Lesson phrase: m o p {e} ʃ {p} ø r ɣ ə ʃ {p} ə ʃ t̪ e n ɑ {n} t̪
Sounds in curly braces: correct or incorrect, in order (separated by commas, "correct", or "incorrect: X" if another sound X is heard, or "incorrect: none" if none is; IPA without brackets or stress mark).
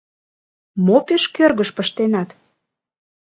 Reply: correct, incorrect: k, correct, incorrect: none